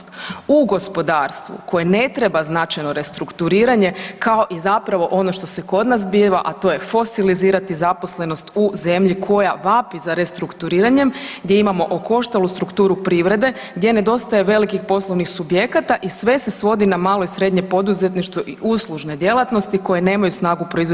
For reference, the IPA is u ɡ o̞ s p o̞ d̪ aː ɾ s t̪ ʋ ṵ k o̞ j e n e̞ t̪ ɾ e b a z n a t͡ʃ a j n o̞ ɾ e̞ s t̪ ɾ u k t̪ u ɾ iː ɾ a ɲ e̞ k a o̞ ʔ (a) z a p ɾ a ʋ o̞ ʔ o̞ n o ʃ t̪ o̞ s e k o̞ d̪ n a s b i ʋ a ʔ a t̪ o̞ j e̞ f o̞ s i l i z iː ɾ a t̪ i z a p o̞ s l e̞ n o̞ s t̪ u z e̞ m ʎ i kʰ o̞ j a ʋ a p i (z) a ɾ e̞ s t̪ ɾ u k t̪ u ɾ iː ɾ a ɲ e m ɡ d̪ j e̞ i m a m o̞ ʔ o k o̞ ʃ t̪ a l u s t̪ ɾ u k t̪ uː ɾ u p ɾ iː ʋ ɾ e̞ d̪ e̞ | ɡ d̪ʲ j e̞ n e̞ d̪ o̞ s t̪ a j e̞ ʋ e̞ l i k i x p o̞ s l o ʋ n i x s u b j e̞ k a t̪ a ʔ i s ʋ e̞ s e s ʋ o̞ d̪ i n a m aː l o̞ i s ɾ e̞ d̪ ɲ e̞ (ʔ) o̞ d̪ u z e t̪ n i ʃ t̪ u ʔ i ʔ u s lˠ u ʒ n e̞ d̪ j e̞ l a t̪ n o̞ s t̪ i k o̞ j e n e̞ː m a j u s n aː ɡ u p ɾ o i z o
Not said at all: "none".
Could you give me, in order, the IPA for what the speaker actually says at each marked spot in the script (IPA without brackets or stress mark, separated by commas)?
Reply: i, z, p